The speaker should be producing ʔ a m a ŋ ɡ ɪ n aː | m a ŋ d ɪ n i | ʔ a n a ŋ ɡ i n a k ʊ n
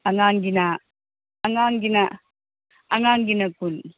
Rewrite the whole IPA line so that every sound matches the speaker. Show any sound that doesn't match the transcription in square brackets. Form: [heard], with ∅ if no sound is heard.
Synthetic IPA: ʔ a [ŋ] a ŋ ɡ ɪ n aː | [ŋ] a ŋ [ɡ] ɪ n [a] | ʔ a [ŋ] a ŋ ɡ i n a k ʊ n